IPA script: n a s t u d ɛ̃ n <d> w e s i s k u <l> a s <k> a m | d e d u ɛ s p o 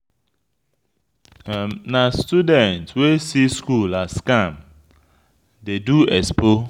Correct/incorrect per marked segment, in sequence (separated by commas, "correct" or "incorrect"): incorrect, correct, correct